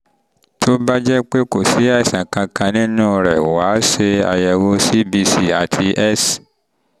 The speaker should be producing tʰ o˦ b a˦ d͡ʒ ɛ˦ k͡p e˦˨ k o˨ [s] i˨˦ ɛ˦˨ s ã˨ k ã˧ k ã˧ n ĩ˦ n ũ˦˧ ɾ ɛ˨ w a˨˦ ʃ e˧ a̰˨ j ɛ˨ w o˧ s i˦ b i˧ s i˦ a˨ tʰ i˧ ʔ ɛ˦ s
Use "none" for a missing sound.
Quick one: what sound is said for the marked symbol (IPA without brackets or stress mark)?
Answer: s